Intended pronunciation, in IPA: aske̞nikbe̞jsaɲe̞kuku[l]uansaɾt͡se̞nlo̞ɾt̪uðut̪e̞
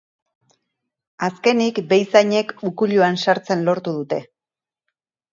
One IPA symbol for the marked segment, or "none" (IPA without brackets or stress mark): ʎ